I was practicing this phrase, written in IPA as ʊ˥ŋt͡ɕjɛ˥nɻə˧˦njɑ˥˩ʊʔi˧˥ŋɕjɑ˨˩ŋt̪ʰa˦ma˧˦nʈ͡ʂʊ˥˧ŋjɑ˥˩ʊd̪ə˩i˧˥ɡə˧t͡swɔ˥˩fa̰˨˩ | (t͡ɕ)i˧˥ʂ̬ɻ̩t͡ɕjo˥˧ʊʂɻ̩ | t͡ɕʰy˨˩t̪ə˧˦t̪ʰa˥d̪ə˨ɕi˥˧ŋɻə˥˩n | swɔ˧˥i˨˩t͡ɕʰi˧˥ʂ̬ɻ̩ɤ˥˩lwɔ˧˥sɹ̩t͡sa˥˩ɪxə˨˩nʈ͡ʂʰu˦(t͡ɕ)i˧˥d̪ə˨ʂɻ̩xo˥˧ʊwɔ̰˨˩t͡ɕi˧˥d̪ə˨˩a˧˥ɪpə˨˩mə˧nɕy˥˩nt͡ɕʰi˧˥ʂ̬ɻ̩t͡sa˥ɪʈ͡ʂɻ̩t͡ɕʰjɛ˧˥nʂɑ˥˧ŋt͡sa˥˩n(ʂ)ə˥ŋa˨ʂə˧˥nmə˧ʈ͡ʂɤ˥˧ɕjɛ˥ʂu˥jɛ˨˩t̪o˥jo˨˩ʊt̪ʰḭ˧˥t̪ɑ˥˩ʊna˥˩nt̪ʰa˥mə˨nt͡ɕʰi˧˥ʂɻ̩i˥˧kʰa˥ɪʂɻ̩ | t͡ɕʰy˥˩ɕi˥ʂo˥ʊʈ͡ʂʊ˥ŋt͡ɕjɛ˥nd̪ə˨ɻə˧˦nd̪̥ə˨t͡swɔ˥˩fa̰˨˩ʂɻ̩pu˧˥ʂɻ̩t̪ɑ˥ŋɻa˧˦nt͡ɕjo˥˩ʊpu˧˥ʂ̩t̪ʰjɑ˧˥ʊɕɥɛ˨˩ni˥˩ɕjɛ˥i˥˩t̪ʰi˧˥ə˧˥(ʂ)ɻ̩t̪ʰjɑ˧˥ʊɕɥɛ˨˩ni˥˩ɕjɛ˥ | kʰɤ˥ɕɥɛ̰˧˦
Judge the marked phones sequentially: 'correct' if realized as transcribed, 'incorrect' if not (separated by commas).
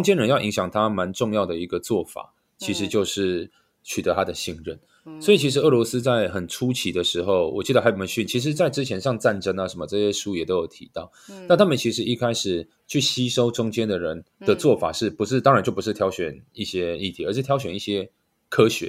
incorrect, incorrect, incorrect, correct